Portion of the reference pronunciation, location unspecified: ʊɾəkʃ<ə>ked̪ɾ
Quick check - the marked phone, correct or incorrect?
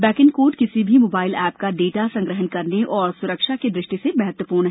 incorrect